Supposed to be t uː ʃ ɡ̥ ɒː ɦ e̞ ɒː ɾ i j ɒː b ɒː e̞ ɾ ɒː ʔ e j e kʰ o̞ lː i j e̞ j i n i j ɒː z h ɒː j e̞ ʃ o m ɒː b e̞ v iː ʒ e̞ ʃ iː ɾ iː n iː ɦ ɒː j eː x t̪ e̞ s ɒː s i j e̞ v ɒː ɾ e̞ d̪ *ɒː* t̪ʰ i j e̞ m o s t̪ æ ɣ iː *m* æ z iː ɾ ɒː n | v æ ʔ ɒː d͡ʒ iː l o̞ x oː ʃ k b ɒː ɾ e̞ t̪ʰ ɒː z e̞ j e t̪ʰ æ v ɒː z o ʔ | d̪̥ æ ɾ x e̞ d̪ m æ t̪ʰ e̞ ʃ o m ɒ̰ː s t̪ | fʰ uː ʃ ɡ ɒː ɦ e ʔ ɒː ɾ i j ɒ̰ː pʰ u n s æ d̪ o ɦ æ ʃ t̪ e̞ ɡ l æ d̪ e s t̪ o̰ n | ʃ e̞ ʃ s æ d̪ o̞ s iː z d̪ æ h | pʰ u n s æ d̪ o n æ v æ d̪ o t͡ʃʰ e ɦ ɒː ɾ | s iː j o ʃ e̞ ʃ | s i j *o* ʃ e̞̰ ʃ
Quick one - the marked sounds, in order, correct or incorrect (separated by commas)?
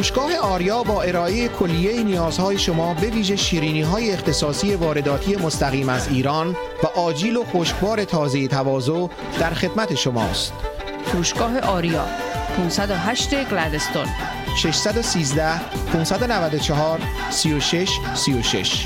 correct, correct, correct